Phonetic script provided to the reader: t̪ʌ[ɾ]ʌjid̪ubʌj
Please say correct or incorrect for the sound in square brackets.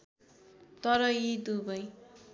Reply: correct